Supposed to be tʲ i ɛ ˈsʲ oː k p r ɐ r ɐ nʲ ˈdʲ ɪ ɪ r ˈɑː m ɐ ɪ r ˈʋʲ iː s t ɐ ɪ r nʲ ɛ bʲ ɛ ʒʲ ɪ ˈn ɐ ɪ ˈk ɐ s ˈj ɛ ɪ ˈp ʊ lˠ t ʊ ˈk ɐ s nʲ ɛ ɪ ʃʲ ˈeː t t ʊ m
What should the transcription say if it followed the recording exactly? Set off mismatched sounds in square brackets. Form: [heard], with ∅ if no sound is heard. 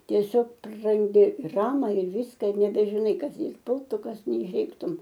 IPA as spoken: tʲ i ɛ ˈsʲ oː k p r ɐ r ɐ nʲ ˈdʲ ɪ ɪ r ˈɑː m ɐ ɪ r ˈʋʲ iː s [k] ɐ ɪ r nʲ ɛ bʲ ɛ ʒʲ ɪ ˈn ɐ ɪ ˈk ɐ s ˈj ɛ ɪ ˈp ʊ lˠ t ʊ ˈk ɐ s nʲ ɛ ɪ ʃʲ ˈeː [k] t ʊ m